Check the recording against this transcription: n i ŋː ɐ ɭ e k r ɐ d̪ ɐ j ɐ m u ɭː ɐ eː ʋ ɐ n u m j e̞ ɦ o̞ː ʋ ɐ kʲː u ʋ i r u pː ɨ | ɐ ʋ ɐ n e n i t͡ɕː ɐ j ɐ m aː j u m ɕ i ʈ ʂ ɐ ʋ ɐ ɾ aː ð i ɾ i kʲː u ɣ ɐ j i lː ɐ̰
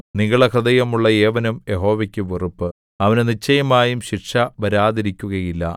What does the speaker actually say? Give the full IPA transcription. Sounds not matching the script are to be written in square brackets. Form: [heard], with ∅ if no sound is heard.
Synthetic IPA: n i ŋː ɐ ɭ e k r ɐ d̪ ɐ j ɐ m u ɭː ɐ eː ʋ ɐ n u m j e̞ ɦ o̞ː ʋ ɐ kʲː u ʋ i r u pː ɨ | ɐ ʋ ɐ n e n i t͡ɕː ɐ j ɐ m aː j u m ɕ i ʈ ʂ ɐ ʋ ɐ ɾ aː ð i ɾ i kʲː u ɣ ɐ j i lː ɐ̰

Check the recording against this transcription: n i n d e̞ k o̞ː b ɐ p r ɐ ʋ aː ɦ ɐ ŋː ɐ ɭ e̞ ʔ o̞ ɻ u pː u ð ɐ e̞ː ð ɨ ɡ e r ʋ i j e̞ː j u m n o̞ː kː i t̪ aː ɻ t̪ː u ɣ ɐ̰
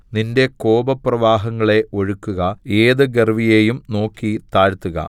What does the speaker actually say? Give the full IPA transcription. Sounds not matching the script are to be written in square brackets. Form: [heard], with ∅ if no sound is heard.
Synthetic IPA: n i n d e̞ k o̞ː b ɐ p r ɐ ʋ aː ɦ ɐ ŋː ɐ ɭ e̞ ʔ o̞ ɻ u [kː] u [ɣ] ɐ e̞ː ð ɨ ɡ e r ʋ i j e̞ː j u m n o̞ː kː i t̪ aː ɻ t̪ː u ɣ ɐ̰

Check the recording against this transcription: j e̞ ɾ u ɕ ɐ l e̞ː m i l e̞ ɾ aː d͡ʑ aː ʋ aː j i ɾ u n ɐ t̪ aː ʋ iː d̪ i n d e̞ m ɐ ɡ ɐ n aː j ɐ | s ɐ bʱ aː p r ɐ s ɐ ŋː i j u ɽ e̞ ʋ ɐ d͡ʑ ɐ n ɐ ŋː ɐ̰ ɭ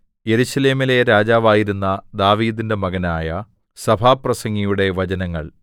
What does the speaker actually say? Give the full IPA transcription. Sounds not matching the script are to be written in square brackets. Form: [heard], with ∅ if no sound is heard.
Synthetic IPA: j e̞ ɾ u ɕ ɐ l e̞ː m i l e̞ ɾ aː d͡ʑ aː ʋ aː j i ɾ u [nː] ɐ [d̪] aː ʋ iː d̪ i n d e̞ m ɐ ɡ ɐ n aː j ɐ | s ɐ bʱ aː p r ɐ s ɐ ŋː i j u ɽ e̞ ʋ ɐ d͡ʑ ɐ n ɐ ŋː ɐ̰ ɭ

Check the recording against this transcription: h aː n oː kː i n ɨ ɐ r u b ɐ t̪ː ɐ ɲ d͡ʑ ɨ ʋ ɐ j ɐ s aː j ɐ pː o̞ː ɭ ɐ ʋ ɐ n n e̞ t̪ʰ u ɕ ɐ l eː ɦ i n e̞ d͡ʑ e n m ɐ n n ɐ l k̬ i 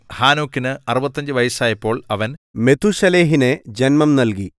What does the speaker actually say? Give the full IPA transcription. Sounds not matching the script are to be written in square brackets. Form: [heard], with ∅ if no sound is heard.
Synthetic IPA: h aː n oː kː i n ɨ ɐ r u b ɐ t̪ː ɐ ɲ d͡ʑ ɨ ʋ ɐ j ɐ s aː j ɐ pː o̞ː ɭ ɐ ʋ ɐ n [m] e̞ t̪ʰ u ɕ ɐ l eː ɦ i n e̞ d͡ʑ e n m ɐ [m] n ɐ l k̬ i

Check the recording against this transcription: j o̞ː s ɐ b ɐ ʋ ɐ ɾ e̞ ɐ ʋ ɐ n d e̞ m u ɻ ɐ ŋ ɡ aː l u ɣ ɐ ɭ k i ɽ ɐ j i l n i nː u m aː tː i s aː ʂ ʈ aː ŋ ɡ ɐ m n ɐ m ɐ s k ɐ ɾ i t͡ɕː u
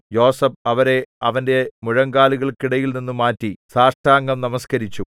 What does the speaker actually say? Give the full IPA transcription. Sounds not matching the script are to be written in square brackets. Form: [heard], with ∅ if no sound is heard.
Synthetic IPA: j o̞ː s ɐ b ɐ ʋ ɐ ɾ e̞ ɐ ʋ ɐ n d e̞ m u ɻ ɐ ŋ ɡ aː l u ɣ ɐ ɭ k i ɽ ɐ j i l n i nː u m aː tː i s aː ʂ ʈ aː ŋ ɡ ɐ m n ɐ m ɐ s k ɐ ɾ i t͡ɕː u

